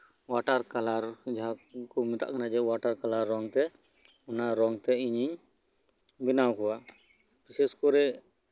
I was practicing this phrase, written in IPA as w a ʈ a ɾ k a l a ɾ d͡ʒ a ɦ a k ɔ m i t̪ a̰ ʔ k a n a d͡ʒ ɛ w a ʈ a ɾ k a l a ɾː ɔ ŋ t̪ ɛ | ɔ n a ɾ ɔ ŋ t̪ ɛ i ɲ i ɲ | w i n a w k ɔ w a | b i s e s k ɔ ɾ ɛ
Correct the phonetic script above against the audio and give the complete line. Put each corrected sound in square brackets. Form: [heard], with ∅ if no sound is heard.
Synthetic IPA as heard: w a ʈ a ɾ k a l a ɾ d͡ʒ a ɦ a k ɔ m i t̪ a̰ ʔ k a n a d͡ʒ ɛ w a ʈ a ɾ k a l a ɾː ɔ ŋ t̪ ɛ | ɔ n a ɾ ɔ ŋ t̪ ɛ i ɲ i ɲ | [b] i n a w k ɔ w a | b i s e s k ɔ ɾ ɛ

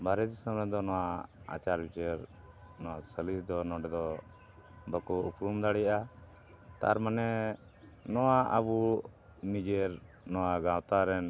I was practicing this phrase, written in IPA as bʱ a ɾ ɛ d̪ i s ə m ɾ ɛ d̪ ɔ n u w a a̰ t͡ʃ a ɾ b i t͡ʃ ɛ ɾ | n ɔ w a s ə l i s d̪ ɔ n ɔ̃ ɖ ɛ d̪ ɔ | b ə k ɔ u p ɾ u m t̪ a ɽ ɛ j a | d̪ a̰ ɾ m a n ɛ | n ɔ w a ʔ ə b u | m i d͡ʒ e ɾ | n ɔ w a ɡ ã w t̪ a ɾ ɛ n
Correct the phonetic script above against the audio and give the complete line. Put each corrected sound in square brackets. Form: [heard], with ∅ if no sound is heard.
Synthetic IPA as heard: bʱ a ɾ ɛ d̪ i s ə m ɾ ɛ d̪ ɔ n [ɔ] w a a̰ t͡ʃ a ɾ b i t͡ʃ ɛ ɾ | n ɔ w a s ə l i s d̪ ɔ n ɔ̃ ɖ ɛ d̪ ɔ | b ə k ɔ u p ɾ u m [d̪] a ɽ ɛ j a | [t̪] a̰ ɾ m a n ɛ | n ɔ w a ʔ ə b u | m i d͡ʒ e ɾ | n ɔ w a ɡ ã w t̪ a ɾ ɛ n

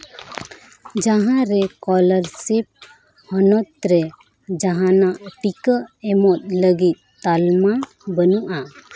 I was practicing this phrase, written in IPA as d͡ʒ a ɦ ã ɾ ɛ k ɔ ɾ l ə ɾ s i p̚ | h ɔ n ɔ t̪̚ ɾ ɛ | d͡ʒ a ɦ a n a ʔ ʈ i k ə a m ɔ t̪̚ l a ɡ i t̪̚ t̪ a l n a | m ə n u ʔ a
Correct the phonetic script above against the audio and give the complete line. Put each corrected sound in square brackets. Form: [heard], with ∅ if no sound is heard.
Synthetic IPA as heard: d͡ʒ a ɦ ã ɾ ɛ k ɔ [∅] l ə ɾ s i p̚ | h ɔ n ɔ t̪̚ ɾ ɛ | d͡ʒ a ɦ a n a ʔ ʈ i k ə [ɛ] m ɔ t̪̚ l [ə] ɡ i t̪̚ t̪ a l [m] a | [b] ə n u ʔ a

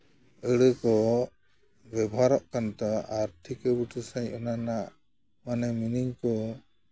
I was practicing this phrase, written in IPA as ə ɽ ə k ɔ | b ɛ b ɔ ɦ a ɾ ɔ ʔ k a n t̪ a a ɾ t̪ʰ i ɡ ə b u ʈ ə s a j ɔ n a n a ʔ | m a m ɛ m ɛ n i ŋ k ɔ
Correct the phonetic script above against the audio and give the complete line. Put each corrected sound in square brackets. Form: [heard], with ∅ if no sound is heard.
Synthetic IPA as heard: ə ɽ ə k ɔ | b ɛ b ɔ ɦ a ɾ ɔ ʔ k a n t̪ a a ɾ t̪ʰ i [k] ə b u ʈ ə s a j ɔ n a n a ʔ | m a [n] ɛ m [i] n i ŋ k ɔ

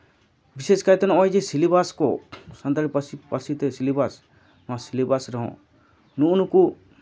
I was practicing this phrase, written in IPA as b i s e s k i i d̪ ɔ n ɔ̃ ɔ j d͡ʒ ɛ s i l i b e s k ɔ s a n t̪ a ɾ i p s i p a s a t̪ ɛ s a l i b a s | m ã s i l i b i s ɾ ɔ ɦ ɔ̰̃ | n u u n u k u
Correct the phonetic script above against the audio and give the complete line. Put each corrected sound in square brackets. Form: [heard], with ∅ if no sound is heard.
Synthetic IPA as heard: b i s e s k [a] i [t̪] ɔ n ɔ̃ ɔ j d͡ʒ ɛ s i l i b [a] s k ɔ s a n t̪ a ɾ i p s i p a s [i] t̪ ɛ s [i] l i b a s | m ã s i l i b [a] s ɾ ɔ ɦ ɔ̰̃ | n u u n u k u

